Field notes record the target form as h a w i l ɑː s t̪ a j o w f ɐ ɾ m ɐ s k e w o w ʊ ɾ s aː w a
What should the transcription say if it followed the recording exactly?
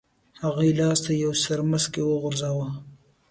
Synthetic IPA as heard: h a ɣ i l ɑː s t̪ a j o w s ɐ ɾ m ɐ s k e w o ɣ ʊ ɾ z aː w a

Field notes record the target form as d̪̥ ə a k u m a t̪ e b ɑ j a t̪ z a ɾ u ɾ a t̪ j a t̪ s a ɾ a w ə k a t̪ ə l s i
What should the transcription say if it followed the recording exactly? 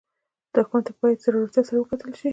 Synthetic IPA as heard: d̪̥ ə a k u m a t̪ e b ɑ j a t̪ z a ɾ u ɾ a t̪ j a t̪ s a ɾ a w ə k a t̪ ə l ʃ i

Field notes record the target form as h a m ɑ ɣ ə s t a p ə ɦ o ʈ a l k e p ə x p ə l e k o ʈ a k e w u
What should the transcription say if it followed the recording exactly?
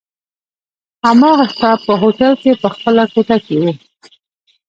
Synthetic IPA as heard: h a m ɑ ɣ a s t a p ə ɦ o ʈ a l k e p ə x p ə l a k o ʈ a k e w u

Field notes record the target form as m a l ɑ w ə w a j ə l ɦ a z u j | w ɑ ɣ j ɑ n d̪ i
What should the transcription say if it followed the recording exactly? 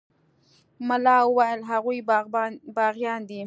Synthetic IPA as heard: m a l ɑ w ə w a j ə l ɦ a ɣ u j | b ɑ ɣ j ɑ n d̪ i

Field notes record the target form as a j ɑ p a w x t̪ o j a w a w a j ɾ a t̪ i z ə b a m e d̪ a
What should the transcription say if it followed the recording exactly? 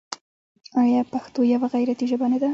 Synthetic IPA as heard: a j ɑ p a x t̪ o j a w a ɣ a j ɾ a t̪ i ʒ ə b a n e d̪ a

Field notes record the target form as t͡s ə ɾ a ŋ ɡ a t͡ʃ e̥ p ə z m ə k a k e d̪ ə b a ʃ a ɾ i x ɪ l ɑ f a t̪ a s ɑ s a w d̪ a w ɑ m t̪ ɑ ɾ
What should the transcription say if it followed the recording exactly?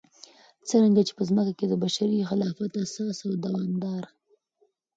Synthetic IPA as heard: t͡s ə ɾ a ŋ ɡ a t͡ʃ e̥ p ə z m ə k a k e d̪ ə b a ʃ a ɾ i x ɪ l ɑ f a t̪ a s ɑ s a w d̪ a w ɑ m d̪ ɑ ɾ

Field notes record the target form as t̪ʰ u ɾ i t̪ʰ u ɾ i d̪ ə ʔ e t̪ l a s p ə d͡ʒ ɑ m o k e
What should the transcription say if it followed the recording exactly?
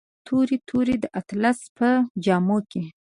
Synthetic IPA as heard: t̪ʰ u ɾ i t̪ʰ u ɾ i d̪ ə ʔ a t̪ l a s p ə d͡ʒ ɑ m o k e

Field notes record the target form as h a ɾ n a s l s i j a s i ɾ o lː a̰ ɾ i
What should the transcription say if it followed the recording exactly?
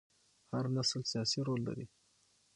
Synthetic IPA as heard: h a ɾ n a s l s i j ɑ s i ɾ o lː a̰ ɾ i

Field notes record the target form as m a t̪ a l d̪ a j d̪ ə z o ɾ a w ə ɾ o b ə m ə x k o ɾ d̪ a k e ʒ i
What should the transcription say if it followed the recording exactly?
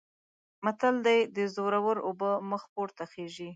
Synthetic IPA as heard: m a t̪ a l d̪ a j d̪ ə z o ɾ a w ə ɾ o b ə m ə x p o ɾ t̪ a x e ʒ i

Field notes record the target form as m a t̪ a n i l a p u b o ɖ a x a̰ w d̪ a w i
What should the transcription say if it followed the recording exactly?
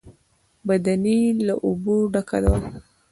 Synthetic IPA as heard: b a d̪ a n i l a ʔ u b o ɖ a k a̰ d̪ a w a

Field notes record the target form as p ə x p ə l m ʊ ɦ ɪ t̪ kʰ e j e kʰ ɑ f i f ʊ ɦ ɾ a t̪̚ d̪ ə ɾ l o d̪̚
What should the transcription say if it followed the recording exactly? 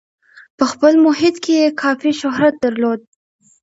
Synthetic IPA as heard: p ə x p ə l m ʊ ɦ ɪ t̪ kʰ e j e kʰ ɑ f i ʃ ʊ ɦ ɾ a t̪̚ d̪ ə ɾ l o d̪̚

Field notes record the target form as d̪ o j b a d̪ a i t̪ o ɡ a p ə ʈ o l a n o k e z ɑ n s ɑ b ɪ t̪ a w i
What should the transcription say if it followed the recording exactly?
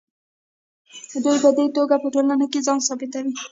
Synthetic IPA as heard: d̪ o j b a d̪ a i t̪ o ɡ a p ə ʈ o l a n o k e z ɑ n s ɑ b ɪ t̪ a w i

